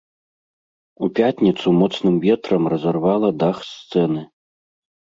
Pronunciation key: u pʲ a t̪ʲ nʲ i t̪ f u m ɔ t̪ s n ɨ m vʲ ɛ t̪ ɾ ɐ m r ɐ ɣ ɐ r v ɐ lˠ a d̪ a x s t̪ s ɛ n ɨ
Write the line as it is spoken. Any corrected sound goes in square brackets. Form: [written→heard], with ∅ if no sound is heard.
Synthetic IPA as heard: u pʲ a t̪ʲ nʲ i t̪ [f→s] u m ɔ t̪ s n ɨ m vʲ ɛ t̪ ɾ ɐ m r ɐ [ɣ→z] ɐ r v [ɐ→a] lˠ [a→ɐ] d̪ a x s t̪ s ɛ n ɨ